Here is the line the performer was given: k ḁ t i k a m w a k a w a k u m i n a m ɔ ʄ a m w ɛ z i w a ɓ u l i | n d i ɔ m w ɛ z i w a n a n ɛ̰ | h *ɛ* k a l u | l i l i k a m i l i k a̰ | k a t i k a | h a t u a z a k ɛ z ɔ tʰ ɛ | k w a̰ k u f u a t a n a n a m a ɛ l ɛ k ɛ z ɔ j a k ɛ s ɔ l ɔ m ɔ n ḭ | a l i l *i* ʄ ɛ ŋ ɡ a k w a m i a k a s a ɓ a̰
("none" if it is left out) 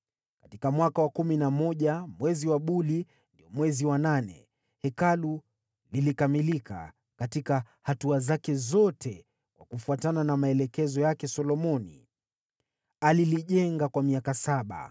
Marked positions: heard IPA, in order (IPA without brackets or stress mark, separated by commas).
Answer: ɛ, i